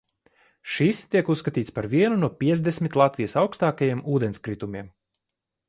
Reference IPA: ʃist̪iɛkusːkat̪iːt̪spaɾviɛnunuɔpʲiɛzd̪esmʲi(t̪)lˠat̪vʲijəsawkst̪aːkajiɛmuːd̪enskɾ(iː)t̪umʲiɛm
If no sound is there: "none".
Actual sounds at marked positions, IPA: t̪, i

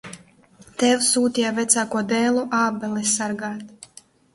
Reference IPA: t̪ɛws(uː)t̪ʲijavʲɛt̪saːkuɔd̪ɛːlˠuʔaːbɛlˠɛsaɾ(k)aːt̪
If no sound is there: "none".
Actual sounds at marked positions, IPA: uː, ɡ

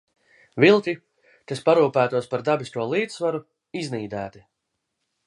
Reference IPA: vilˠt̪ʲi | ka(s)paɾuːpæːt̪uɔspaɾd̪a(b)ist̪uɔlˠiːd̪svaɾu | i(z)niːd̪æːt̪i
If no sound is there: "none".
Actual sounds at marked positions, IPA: s, b, z

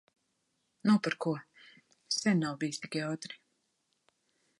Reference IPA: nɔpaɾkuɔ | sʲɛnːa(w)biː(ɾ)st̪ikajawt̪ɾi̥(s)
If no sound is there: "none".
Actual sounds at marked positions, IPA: w, none, none

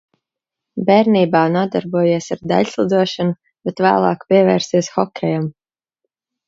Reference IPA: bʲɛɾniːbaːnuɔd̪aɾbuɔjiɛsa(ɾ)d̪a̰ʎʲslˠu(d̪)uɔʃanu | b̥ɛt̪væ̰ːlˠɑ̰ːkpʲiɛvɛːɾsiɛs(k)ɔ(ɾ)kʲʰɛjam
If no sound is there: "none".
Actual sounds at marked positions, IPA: ɾ, d̪, x, none

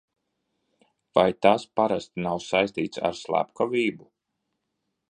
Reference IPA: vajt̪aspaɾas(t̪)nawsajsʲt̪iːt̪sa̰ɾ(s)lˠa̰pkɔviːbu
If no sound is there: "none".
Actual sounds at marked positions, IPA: t̪, s

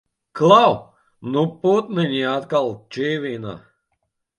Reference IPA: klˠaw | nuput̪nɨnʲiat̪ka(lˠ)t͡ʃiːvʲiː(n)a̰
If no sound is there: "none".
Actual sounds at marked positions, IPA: lˠ, n

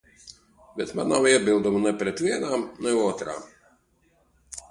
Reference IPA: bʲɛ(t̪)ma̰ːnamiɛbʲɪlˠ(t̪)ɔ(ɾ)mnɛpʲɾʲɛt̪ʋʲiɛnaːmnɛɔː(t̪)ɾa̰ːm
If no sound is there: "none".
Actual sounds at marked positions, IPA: t̪, d̪, none, t̪

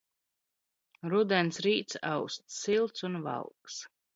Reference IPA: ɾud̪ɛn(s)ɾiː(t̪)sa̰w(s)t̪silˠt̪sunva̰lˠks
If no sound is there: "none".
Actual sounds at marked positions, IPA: s, t̪, s

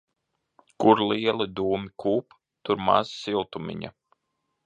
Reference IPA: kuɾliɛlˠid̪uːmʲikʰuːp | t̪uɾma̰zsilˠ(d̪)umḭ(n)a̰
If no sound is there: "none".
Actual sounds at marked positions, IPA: t̪, ɲ

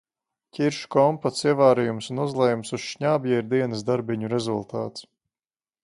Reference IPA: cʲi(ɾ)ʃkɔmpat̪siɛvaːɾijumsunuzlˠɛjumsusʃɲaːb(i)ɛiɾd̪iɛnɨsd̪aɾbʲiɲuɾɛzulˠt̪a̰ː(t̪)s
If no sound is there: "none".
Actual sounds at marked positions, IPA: ɾ, j, t̪

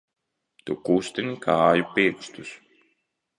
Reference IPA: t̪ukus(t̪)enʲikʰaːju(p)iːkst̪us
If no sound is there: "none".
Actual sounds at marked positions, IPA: t̪, p

